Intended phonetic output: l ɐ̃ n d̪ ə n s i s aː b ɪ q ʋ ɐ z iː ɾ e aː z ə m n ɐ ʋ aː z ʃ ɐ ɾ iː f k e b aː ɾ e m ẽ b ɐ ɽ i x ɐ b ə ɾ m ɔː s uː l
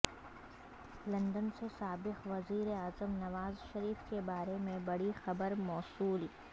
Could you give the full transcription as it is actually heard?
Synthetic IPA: l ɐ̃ n d̪ ə n s e s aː b ɪ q ʋ ɐ z iː ɾ e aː z ə m n ɐ ʋ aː z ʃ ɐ ɾ iː f k e b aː ɾ e m ẽ b ɐ ɽ i x ɐ b ə ɾ m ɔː s uː l